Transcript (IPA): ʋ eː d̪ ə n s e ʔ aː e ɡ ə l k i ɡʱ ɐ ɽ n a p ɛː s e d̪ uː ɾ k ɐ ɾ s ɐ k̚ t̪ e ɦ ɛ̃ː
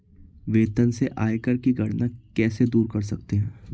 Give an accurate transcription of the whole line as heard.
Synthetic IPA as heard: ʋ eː t̪ ə n s e ʔ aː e k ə ɾ k i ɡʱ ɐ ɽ n a k ɛː s e d̪ uː ɾ k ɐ ɾ s ɐ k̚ t̪ e ɦ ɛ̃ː